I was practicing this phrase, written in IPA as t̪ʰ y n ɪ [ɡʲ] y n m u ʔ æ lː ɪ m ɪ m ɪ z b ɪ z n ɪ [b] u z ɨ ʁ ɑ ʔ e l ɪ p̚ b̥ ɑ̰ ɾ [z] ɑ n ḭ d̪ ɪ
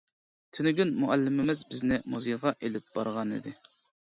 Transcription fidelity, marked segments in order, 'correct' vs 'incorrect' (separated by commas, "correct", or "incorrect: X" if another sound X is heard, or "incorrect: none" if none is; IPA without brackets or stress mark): correct, incorrect: m, incorrect: ʁ